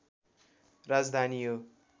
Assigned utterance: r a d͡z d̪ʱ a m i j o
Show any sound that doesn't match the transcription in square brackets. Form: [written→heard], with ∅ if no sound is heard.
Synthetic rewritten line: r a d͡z d̪ʱ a [m→n] i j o